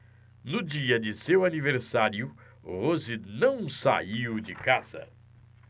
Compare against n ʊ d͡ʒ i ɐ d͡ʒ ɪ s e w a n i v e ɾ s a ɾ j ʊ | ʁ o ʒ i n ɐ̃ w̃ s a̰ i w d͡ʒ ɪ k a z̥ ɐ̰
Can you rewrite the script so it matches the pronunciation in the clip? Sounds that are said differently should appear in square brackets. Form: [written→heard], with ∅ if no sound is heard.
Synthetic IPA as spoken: n ʊ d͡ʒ i ɐ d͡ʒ ɪ s e w a n i v e ɾ s a ɾ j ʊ | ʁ o [ʒ→z] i n ɐ̃ w̃ s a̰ i w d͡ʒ ɪ k a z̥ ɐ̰